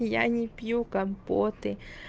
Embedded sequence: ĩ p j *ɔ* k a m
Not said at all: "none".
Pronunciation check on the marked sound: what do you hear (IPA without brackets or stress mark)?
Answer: u